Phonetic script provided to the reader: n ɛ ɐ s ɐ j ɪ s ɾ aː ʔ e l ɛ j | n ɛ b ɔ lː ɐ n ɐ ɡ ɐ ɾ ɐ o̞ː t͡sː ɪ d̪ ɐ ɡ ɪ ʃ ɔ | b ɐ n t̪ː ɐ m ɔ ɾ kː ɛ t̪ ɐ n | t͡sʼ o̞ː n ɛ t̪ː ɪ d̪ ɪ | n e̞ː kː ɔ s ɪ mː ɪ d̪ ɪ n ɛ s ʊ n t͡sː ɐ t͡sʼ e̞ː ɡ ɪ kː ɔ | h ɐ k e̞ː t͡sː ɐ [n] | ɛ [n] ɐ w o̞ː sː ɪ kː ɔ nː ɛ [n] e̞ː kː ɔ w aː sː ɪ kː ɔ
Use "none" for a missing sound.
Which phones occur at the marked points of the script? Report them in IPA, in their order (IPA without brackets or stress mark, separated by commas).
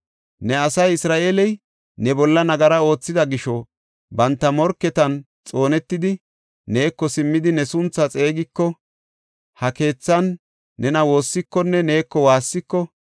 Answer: nː, n, n